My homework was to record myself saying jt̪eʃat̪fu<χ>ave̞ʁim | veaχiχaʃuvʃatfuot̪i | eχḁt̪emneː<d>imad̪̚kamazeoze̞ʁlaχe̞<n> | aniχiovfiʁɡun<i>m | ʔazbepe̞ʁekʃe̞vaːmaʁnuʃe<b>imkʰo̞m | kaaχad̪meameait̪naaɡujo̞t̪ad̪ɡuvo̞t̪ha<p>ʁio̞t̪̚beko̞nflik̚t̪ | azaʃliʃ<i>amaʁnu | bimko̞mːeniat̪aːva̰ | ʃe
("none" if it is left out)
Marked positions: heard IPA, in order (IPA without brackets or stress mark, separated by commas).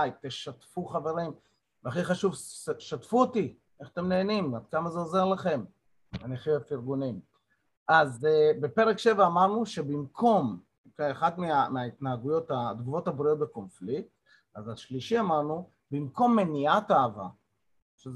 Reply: χ, n, m, i, b, b, i